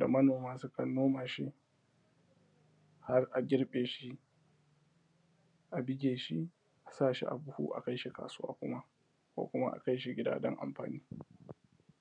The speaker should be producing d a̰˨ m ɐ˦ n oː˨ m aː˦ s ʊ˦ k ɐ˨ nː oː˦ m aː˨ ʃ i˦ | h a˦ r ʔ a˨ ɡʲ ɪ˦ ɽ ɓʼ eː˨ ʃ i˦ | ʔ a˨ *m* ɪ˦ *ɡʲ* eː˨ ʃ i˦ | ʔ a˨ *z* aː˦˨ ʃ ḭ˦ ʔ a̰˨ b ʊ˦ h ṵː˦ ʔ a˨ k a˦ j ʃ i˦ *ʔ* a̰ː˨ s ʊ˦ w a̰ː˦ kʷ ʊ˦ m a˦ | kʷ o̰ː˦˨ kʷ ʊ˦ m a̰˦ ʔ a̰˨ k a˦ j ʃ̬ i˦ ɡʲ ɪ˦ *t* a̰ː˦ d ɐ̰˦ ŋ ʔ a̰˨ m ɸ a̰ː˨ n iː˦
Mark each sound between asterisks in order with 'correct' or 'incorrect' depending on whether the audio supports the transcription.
incorrect: b, correct, incorrect: s, incorrect: k, incorrect: d

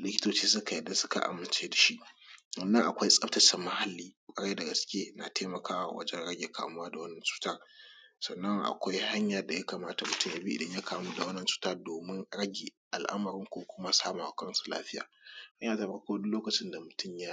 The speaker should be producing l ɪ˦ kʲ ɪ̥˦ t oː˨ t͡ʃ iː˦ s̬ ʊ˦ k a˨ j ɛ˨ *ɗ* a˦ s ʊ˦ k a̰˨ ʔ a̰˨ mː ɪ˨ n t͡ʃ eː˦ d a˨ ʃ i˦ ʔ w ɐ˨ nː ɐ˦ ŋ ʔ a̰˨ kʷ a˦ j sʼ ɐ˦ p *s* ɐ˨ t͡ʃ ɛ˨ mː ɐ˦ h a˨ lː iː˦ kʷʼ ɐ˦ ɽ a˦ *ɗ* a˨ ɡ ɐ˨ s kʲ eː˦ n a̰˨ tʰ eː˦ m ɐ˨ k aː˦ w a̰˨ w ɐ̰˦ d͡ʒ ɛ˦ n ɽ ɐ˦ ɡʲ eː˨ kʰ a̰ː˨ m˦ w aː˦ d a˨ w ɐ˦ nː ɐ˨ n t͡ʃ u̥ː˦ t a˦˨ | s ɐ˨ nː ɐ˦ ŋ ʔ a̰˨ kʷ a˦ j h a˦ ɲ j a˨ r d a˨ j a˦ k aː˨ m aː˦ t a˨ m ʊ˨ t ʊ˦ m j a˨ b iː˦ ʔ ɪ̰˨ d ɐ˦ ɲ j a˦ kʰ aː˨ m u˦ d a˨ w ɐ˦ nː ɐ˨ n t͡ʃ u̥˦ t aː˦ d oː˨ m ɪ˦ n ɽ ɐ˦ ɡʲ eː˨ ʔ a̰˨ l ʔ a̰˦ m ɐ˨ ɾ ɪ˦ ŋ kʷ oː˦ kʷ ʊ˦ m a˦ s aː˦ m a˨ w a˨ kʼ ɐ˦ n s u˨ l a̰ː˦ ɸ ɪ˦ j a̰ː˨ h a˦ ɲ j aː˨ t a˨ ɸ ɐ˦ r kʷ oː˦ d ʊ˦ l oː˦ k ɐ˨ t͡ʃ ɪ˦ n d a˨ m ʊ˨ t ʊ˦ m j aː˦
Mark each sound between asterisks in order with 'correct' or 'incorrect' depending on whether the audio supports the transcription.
incorrect: d, incorrect: t, incorrect: d

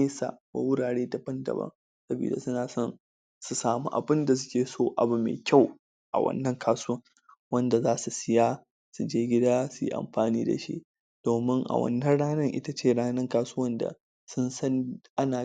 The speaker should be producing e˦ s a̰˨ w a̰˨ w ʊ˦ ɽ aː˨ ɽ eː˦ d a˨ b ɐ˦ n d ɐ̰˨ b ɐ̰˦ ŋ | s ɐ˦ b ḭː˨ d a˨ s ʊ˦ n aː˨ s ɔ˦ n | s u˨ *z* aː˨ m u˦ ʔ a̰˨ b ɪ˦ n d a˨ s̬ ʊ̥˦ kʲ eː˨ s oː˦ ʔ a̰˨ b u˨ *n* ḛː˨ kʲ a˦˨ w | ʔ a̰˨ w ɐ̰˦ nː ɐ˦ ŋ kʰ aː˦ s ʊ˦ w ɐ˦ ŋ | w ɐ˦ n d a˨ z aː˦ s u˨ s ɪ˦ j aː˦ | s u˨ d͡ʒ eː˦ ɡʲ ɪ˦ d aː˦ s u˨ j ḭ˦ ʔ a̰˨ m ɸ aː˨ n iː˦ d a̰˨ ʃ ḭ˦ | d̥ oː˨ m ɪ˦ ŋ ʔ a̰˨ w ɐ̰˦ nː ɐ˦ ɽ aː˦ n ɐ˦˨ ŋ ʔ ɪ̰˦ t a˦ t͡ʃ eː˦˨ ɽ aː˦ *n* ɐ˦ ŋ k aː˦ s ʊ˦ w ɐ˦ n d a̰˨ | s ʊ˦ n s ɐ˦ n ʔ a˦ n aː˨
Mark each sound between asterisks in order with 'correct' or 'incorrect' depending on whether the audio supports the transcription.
incorrect: s, incorrect: m, correct

